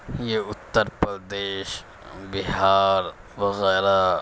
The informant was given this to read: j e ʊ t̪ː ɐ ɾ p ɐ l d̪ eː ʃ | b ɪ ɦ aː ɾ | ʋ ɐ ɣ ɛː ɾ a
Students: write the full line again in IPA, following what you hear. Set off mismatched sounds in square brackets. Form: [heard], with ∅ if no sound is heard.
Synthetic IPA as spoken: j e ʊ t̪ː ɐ ɾ p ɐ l d̪ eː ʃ | b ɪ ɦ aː ɾ | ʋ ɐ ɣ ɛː ɾ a